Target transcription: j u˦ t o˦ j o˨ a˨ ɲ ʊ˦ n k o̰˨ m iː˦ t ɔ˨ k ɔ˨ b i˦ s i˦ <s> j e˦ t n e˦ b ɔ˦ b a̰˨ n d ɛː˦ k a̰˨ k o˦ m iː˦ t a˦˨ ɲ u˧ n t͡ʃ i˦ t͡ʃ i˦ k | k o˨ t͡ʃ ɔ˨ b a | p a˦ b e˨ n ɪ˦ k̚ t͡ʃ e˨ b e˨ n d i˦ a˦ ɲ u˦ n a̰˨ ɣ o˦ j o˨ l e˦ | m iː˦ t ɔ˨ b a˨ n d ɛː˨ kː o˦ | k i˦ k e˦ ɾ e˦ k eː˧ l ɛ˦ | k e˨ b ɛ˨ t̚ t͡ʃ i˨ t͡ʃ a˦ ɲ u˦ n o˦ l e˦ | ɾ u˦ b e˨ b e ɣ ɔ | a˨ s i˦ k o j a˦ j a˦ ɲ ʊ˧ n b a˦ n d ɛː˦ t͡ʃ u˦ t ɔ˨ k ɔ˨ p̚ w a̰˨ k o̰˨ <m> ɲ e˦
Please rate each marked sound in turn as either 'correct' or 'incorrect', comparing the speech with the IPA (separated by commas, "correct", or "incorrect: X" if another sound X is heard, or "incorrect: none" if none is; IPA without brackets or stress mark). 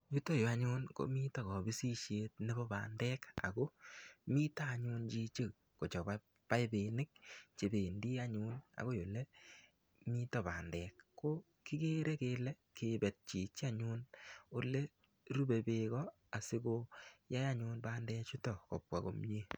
incorrect: ʃ, correct